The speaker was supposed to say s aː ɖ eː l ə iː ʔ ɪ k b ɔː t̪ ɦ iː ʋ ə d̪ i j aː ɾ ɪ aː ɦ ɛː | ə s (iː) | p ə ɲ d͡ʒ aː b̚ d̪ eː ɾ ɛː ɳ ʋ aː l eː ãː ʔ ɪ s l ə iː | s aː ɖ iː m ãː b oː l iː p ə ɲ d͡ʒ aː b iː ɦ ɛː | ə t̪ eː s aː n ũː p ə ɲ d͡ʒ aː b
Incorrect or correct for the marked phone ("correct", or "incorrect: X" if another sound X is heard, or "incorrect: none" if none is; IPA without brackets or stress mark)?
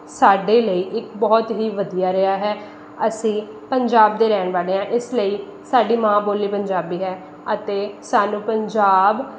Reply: incorrect: ĩː